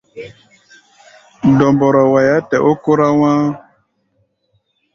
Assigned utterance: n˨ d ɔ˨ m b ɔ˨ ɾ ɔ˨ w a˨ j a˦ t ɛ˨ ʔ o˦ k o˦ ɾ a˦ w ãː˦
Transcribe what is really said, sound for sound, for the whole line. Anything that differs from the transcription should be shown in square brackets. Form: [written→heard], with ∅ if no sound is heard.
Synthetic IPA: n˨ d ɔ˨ m b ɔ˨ ɾ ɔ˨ w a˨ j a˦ t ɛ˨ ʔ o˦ k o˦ ɾ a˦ w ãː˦